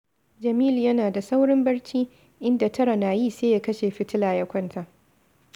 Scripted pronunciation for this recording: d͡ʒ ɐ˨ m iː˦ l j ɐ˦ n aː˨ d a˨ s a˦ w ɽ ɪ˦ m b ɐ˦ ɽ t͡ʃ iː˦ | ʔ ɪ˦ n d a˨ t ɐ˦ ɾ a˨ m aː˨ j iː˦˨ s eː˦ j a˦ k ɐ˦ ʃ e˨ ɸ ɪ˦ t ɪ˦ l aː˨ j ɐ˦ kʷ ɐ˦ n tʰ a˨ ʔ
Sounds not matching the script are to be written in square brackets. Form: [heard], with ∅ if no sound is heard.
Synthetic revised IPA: d͡ʒ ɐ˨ m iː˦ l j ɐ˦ n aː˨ d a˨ s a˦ w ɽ ɪ˦ m b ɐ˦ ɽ t͡ʃ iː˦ | ʔ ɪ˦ n d a˨ t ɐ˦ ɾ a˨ [n] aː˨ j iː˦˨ s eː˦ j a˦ k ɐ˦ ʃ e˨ ɸ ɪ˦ t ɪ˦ l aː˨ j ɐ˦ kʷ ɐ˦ n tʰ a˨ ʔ